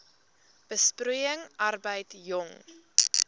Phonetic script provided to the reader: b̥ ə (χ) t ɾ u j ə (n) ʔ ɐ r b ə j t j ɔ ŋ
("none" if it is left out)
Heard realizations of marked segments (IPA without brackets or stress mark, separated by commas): s, ŋ